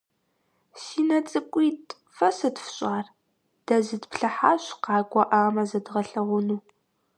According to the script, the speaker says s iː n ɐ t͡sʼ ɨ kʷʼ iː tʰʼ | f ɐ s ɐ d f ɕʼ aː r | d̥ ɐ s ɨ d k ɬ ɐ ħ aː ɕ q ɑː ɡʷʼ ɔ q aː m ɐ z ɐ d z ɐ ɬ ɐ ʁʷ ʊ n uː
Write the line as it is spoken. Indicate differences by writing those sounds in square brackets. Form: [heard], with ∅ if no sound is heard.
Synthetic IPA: s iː n ɐ t͡sʼ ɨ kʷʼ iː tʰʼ | f ɐ s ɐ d f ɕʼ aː r | d̥ ɐ [z] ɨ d [p] ɬ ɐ ħ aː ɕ q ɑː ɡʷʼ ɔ [ʔ] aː m ɐ z ɐ d [ʁ] ɐ ɬ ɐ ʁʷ ʊ n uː